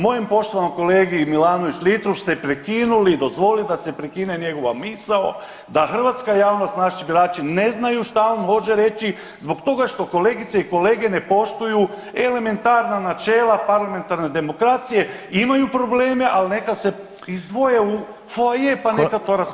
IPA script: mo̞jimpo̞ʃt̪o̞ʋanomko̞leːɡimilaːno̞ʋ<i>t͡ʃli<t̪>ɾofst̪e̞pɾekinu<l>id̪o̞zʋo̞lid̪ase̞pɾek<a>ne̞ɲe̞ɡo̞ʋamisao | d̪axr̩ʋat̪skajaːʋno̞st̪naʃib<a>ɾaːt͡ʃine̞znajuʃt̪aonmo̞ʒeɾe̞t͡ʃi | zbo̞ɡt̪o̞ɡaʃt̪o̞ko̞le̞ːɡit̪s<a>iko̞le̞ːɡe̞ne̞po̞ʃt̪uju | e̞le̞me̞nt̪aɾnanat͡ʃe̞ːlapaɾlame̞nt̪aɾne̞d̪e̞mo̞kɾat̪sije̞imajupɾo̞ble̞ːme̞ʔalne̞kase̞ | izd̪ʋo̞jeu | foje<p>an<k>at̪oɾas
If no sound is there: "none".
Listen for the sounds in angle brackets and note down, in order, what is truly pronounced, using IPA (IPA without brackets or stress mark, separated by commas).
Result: i, t̪, l, i, i, e, p, k